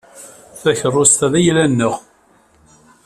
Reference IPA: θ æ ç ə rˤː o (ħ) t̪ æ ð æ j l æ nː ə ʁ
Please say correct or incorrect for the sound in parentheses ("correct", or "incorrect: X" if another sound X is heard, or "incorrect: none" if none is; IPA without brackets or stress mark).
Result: incorrect: s